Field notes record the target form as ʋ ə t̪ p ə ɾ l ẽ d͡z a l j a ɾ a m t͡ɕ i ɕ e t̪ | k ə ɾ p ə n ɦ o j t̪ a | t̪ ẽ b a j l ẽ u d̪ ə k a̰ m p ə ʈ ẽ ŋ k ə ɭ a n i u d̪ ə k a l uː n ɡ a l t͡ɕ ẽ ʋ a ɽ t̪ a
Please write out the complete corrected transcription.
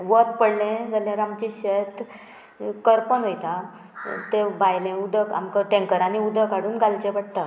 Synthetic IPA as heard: ʋ ə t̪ p ə ɽ l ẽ d͡z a l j a ɾ a m t͡ɕ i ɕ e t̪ | k ə ɾ p ə n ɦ o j t̪ a | t̪ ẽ b a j l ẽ u d̪ ə k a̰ m k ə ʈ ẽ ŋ k ə ɾ a n i u d̪ ə k a ɽ uː n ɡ a l t͡ɕ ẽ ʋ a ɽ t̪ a